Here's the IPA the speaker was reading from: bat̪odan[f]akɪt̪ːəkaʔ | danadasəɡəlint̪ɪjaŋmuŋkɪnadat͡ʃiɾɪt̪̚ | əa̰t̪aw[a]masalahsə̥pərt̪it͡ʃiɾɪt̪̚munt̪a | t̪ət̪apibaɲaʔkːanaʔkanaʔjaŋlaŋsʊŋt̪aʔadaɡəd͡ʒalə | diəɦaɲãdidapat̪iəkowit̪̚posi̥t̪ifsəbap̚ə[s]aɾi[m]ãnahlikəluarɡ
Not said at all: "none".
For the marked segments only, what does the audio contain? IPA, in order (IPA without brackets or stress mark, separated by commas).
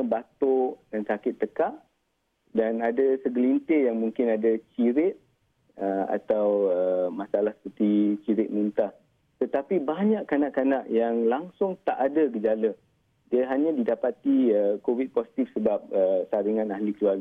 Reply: s, ə, s, ŋ